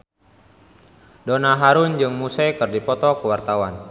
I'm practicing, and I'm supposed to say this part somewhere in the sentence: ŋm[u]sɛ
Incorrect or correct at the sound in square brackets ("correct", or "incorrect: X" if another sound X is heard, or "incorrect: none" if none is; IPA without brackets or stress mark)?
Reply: correct